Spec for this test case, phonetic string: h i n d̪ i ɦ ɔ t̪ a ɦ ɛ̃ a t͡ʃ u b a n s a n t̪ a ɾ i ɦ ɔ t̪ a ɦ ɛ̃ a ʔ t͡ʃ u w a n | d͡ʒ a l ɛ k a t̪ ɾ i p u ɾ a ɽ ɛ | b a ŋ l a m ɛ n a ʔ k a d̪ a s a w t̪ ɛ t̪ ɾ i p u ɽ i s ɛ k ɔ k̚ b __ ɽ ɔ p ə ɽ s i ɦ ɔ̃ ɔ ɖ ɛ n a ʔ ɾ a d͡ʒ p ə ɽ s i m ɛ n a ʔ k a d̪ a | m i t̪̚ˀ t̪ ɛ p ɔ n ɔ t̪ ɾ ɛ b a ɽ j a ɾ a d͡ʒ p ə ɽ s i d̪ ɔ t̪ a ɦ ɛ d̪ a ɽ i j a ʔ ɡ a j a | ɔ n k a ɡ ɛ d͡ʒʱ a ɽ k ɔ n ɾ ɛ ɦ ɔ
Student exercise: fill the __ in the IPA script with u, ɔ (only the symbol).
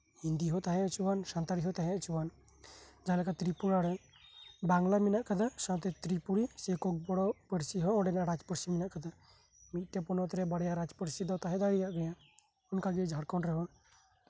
ɔ